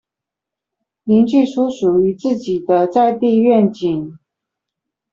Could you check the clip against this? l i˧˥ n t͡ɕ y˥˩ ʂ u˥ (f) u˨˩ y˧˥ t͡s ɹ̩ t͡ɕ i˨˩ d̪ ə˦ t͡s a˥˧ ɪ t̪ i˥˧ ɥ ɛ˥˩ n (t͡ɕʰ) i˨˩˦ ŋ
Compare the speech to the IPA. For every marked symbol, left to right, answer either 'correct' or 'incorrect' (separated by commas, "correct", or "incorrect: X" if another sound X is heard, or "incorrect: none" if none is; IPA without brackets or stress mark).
incorrect: ʂ, incorrect: t͡ɕ